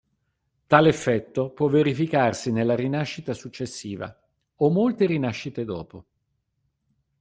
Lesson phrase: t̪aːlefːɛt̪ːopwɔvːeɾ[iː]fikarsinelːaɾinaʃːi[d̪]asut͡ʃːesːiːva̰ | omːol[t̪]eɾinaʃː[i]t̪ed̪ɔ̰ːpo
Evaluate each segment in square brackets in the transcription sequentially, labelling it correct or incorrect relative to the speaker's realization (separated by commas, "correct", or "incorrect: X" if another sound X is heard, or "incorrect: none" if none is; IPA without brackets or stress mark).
incorrect: i, incorrect: t̪, correct, correct